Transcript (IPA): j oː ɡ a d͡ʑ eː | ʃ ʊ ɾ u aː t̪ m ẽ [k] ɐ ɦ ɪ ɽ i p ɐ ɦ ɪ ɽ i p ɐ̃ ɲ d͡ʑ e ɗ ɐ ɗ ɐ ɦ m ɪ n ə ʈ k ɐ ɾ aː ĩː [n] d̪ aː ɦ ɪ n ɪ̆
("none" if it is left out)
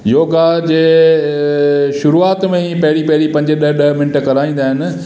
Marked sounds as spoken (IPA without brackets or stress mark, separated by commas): p, n